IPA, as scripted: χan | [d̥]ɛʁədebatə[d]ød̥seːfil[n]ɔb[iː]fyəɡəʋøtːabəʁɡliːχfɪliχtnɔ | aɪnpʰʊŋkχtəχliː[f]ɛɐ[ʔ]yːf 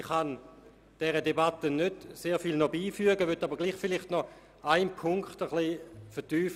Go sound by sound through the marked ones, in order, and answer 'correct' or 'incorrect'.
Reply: correct, incorrect: n, correct, correct, correct, incorrect: t

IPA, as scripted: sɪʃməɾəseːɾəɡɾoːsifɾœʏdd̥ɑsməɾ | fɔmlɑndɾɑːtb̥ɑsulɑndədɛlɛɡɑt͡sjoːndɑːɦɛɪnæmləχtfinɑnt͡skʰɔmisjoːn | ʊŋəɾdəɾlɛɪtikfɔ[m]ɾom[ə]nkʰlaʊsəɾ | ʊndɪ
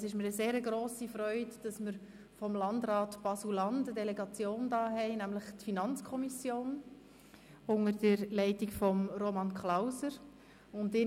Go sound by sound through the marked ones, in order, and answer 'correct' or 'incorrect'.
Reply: correct, incorrect: ɑ

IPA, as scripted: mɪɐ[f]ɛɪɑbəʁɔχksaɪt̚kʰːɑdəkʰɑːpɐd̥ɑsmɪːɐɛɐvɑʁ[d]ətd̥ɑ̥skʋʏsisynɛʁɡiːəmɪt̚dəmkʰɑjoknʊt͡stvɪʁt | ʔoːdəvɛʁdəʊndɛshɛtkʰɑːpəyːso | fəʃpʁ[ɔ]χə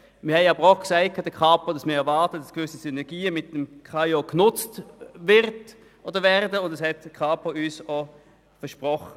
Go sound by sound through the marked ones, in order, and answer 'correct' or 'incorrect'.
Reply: incorrect: h, incorrect: t, correct

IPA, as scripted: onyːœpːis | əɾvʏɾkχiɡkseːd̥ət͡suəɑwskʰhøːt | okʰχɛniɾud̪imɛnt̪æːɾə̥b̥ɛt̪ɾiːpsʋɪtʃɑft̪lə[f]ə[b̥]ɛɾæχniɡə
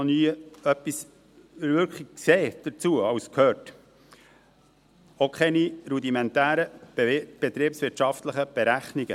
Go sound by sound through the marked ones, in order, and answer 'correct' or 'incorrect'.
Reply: incorrect: χ, correct

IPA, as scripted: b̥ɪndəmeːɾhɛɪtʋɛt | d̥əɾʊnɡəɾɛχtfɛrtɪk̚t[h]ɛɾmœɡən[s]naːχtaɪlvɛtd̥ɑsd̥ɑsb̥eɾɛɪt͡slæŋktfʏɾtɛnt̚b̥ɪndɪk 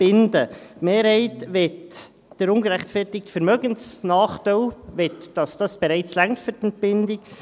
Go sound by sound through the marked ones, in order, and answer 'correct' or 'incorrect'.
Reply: incorrect: f, correct

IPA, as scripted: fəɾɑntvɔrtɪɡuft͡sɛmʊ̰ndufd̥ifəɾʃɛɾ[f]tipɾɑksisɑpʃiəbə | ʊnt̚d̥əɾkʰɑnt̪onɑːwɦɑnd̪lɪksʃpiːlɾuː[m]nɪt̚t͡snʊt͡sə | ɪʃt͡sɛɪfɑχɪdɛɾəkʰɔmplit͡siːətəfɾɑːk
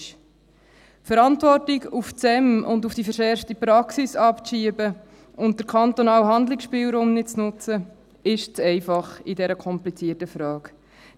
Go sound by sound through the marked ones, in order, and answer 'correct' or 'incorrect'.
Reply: correct, correct

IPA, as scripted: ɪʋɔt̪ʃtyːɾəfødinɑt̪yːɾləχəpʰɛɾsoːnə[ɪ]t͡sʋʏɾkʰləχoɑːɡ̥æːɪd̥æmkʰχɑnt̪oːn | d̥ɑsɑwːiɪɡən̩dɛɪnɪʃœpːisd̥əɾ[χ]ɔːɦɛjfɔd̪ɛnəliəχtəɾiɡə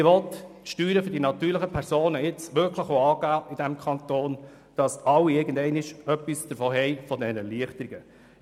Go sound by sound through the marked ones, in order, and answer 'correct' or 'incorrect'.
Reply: correct, incorrect: f

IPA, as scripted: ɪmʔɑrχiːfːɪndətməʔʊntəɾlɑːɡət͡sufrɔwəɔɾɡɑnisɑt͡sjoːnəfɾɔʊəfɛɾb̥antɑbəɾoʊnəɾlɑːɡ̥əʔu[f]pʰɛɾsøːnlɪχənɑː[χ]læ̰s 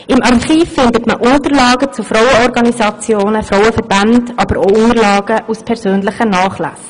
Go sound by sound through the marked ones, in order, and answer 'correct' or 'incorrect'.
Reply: incorrect: s, correct

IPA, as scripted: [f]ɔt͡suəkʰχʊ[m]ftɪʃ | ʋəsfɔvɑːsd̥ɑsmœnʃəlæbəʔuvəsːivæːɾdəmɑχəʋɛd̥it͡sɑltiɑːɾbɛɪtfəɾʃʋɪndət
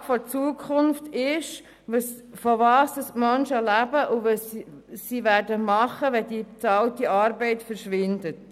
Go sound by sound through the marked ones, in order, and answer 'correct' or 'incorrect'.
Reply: correct, incorrect: n

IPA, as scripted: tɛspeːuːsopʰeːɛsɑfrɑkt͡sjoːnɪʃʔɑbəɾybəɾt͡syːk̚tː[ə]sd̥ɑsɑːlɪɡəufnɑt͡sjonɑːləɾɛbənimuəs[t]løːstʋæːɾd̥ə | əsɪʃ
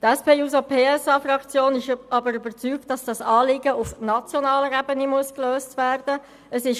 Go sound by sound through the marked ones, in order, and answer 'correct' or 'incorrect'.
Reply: incorrect: ɑ, incorrect: k

